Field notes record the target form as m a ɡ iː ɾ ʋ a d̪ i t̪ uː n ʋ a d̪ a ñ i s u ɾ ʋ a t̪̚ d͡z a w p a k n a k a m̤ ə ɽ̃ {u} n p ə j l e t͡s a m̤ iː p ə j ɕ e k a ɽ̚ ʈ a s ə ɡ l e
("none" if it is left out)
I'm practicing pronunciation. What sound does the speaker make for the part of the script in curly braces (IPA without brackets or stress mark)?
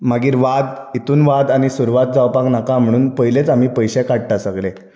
uː